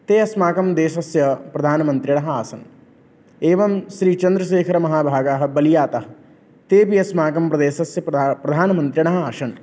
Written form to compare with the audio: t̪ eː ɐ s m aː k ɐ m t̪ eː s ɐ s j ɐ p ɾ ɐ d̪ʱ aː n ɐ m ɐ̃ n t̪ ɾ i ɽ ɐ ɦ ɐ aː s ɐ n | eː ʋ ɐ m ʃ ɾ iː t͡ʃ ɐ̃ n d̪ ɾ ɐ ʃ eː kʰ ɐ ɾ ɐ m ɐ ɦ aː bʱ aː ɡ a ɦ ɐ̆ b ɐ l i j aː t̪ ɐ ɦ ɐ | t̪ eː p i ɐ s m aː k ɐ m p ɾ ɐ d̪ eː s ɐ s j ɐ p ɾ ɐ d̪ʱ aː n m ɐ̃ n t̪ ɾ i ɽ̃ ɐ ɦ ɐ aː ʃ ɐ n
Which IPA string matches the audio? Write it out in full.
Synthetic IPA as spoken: t̪ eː ɐ s m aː k ɐ m d̪ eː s ɐ s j ɐ p ɾ ɐ d̪ʱ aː n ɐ m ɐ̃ n t̪ ɾ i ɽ ɐ ɦ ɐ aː s ɐ n | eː ʋ ɐ m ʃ ɾ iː t͡ʃ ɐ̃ n d̪ ɾ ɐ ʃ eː kʰ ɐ ɾ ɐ m ɐ ɦ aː bʱ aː ɡ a ɦ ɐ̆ b ɐ l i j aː t̪ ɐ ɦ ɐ | t̪ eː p i ɐ s m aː k ɐ m p ɾ ɐ d̪ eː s ɐ s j ɐ p ɾ ɐ d̪ʱ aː n m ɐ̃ n t̪ ɾ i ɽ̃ ɐ ɦ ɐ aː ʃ ɐ n